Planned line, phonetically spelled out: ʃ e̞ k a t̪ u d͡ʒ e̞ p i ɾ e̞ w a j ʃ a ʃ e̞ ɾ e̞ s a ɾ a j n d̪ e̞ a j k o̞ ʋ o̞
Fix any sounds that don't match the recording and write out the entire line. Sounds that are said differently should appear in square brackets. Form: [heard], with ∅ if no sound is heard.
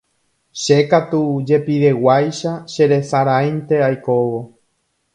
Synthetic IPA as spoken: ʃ e̞ k a t̪ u d͡ʒ e̞ p i ɾ e̞ w a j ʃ a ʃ e̞ ɾ e̞ s a ɾ a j n [t̪] e̞ a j k o̞ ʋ o̞